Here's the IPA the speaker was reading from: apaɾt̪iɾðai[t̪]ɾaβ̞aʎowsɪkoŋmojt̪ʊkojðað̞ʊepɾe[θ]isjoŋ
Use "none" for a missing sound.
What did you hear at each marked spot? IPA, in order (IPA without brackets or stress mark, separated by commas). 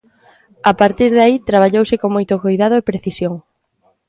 t̪, θ